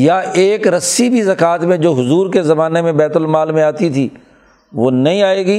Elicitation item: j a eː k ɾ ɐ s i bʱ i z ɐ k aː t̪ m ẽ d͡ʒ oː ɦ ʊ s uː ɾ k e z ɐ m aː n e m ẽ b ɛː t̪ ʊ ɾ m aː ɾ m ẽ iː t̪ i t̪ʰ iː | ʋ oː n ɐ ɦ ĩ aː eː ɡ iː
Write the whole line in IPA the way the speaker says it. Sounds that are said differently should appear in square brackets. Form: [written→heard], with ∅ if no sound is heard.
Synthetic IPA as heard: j a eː k ɾ ɐ s i bʱ i z ɐ k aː t̪ m ẽ d͡ʒ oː ɦ ʊ [s→z] uː ɾ k e z ɐ m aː n e m ẽ b ɛː t̪ ʊ [ɾ→l] m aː [ɾ→l] m ẽ [iː→aː] t̪ i t̪ʰ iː | ʋ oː n ɐ ɦ ĩ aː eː ɡ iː